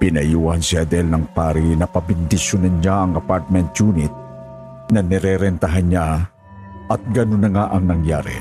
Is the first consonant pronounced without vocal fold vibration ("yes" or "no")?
yes